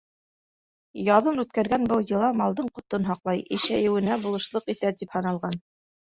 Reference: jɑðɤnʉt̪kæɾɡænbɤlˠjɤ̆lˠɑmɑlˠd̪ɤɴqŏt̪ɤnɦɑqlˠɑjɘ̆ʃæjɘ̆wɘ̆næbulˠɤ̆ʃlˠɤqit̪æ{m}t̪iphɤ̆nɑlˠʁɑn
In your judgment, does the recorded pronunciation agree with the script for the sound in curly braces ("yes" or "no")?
no